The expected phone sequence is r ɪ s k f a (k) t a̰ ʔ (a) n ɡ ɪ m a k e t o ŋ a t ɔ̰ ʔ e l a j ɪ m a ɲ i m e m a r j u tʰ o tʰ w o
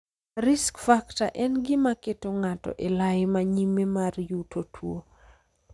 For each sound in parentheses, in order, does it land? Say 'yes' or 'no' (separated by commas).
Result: yes, no